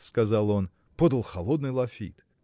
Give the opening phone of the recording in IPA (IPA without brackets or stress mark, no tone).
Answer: s